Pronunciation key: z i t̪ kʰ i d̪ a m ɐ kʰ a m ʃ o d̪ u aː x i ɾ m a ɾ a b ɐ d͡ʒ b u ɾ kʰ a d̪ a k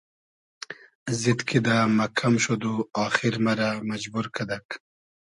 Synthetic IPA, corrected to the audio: z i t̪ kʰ i d̪ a m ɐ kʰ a m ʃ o d̪ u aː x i ɾ m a ɾ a m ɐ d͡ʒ b u ɾ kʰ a d̪ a k